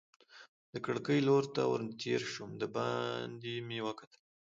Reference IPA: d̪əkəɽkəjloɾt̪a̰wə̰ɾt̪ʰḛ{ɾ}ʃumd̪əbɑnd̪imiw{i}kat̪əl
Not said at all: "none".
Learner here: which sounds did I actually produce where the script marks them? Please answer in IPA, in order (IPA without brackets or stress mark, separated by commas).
ɾ, a